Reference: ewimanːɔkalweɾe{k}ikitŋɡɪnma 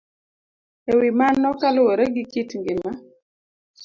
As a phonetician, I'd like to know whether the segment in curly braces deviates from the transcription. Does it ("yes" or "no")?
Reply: yes